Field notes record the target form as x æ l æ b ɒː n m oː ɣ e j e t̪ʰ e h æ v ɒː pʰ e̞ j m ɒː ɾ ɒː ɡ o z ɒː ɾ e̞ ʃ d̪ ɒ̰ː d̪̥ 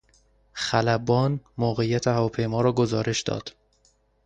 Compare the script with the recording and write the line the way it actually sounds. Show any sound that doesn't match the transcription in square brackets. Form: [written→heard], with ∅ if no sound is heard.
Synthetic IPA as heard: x æ l æ b ɒː n m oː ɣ e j [e→æ] t̪ʰ e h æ v ɒː pʰ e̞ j m ɒː ɾ ɒː ɡ o z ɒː ɾ e̞ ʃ d̪ ɒ̰ː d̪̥

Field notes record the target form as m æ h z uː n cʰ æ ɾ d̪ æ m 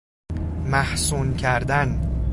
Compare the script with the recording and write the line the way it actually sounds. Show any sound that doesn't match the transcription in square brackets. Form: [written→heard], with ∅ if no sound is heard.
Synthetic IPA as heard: m æ h [z→s] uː n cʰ æ ɾ d̪ æ [m→n]

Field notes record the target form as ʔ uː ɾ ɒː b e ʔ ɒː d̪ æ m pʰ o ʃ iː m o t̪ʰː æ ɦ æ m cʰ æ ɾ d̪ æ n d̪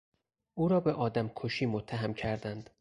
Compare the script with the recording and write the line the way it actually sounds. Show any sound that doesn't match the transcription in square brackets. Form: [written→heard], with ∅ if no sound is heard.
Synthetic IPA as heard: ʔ uː ɾ ɒː b e ʔ ɒː d̪ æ m [pʰ→kʰ] o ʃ iː m o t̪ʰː æ ɦ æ m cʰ æ ɾ d̪ æ n d̪

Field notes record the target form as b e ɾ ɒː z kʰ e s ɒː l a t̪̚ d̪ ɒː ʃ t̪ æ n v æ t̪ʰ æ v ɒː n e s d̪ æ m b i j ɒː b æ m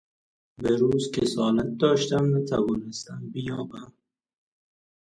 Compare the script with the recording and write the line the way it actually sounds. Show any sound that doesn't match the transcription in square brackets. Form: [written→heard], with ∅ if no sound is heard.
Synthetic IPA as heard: b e ɾ [ɒː→uː] z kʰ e s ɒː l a t̪̚ d̪ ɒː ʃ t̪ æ [n→m] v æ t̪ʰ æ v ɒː n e s [d̪→t̪] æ m b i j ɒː b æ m

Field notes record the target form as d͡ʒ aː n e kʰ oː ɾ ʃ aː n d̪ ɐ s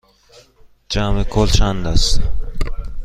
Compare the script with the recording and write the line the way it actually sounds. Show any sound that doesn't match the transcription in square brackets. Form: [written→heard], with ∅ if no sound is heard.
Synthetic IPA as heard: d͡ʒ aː [n→m] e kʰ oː [ɾ→l] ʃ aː n d̪ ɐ s

